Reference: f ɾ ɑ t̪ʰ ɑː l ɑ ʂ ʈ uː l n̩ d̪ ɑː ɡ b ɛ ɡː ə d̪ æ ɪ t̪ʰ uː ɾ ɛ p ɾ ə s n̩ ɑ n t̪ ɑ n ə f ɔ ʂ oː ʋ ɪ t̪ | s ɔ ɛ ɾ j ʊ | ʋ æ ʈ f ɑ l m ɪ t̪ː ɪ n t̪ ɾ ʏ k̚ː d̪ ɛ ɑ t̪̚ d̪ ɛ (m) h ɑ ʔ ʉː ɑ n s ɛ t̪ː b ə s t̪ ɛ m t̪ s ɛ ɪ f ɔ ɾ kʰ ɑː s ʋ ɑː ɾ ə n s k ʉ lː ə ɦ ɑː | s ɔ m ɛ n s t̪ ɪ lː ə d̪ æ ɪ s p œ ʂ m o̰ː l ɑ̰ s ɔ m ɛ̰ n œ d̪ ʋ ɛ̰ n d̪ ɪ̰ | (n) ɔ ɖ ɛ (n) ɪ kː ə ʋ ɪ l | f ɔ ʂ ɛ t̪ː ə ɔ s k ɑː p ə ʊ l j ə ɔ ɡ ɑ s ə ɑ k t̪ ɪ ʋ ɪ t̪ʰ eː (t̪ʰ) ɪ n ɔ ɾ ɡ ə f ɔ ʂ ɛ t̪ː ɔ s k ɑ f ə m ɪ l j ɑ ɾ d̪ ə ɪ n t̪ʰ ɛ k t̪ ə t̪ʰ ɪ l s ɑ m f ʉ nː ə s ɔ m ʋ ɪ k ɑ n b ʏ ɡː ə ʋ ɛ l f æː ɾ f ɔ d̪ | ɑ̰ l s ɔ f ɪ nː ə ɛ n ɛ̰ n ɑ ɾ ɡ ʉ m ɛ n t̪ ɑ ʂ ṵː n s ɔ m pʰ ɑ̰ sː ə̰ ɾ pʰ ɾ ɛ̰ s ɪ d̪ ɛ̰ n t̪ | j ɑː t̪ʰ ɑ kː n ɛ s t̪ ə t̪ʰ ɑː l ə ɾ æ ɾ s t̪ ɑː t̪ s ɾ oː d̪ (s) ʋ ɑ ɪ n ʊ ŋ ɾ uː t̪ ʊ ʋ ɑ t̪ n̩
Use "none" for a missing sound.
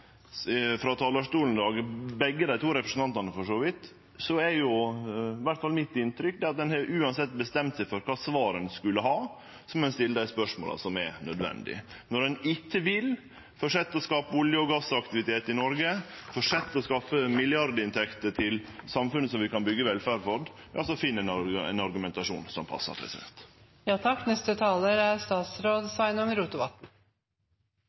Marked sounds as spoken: n, n, n, t̪, s

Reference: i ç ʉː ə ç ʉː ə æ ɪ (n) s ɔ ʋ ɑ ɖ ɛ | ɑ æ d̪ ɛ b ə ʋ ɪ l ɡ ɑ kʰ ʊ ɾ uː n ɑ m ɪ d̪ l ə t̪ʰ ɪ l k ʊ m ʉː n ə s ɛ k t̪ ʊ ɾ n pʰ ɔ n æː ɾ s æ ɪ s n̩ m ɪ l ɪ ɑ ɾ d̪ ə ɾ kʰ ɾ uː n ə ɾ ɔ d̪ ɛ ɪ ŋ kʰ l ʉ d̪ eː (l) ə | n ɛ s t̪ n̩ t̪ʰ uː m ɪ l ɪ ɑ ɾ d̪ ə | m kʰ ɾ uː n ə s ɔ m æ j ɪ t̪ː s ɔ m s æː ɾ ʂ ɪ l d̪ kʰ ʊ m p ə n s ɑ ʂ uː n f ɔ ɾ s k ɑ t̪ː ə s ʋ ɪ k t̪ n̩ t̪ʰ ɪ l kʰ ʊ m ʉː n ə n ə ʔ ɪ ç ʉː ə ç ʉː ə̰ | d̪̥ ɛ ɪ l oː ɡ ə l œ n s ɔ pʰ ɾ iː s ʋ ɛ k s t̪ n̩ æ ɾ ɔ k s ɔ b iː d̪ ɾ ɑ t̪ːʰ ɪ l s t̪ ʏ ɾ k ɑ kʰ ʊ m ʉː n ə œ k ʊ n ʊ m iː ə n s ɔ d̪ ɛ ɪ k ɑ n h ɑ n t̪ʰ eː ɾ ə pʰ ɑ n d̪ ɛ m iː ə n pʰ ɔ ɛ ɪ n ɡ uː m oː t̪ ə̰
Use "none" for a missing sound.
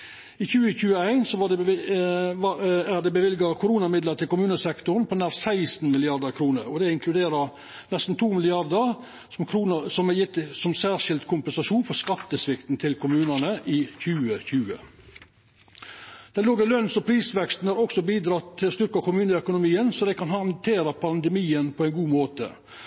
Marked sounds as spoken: n, ɾ

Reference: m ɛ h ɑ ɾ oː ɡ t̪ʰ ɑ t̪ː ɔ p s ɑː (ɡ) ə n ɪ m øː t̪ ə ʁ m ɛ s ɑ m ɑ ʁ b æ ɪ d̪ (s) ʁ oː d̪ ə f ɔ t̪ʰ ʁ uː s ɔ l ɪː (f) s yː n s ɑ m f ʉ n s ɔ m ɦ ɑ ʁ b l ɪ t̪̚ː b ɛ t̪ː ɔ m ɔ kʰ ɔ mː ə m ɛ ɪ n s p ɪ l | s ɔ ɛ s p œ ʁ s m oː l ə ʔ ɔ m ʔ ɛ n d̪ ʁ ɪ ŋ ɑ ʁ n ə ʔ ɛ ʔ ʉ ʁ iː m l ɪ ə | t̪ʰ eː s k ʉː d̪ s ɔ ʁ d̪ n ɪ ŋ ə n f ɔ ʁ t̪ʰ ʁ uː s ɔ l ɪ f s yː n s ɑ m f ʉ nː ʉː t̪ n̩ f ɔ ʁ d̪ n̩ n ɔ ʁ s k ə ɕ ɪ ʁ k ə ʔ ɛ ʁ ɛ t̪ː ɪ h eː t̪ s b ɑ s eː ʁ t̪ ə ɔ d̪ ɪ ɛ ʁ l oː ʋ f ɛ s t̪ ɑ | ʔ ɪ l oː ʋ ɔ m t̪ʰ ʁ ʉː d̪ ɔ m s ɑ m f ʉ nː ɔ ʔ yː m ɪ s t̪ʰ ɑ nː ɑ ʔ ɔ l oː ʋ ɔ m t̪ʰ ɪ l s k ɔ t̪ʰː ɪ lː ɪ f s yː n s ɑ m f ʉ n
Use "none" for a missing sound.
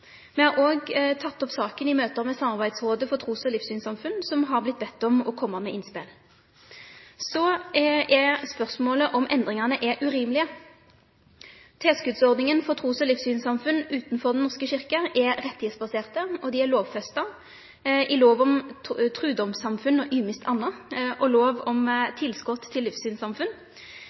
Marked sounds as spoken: k, s, f

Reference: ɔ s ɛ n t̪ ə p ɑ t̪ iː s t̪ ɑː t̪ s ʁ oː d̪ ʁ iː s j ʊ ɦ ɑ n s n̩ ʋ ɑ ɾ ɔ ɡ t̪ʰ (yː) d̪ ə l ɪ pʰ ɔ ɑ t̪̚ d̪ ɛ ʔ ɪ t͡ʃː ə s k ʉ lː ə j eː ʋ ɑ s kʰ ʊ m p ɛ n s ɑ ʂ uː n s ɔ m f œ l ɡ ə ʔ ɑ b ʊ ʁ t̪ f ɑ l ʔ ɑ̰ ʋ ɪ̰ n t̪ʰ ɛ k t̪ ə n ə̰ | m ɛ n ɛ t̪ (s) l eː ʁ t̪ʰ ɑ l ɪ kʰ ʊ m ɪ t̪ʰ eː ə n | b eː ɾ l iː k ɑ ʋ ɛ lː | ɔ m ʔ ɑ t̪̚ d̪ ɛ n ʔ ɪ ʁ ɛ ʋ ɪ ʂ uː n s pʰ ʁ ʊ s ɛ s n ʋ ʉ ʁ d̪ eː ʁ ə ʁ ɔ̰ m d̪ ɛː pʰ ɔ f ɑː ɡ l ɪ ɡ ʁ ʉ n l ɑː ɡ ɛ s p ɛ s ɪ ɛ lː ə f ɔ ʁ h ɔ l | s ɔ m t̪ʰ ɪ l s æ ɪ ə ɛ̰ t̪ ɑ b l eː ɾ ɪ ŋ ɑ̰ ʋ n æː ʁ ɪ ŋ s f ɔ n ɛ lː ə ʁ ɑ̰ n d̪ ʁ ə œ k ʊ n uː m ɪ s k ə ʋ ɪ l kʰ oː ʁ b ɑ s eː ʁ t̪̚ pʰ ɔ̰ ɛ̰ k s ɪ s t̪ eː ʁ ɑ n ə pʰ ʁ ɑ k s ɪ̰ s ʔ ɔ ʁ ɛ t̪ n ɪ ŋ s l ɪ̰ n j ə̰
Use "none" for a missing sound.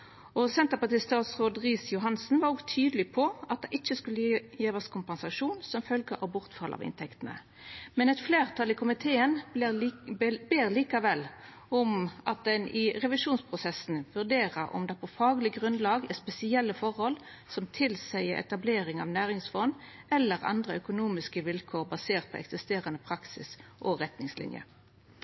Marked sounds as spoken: yː, f

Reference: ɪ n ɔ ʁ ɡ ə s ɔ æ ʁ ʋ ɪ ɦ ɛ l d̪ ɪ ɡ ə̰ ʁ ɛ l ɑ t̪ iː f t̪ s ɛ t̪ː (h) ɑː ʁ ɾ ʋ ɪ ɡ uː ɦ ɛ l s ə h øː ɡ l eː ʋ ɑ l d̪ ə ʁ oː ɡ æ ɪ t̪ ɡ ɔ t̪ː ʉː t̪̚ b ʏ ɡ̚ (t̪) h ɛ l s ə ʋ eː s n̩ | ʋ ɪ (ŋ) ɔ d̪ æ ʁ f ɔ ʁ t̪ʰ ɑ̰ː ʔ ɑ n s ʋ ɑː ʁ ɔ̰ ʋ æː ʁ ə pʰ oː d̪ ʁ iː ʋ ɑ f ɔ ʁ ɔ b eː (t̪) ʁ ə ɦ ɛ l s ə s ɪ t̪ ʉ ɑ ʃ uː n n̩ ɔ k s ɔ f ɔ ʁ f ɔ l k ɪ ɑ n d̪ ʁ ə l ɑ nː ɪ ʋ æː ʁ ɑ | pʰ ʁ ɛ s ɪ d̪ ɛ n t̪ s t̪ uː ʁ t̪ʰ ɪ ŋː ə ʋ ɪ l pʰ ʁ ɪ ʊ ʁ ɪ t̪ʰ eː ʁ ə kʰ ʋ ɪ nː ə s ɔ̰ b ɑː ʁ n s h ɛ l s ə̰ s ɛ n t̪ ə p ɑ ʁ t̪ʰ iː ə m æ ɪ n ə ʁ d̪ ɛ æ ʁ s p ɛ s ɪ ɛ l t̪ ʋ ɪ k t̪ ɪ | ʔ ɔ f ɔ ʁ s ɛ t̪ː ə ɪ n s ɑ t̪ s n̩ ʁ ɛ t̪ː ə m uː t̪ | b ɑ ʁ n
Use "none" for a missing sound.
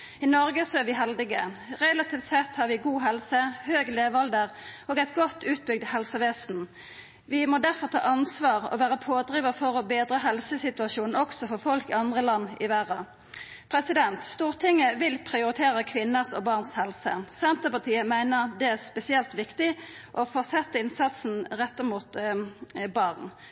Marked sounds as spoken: h, d̪, m, d̪

